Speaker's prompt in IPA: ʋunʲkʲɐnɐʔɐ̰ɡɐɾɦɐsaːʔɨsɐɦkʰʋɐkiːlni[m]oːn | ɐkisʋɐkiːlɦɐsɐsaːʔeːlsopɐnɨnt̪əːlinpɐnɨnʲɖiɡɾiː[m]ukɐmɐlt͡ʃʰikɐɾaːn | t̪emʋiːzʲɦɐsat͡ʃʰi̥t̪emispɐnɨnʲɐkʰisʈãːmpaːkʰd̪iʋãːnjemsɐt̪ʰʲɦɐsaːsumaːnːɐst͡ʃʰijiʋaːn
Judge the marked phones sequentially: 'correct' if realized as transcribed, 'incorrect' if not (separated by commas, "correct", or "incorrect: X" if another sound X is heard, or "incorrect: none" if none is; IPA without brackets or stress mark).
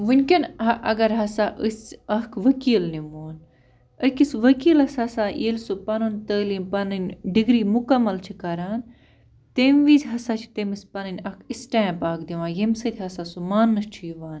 correct, correct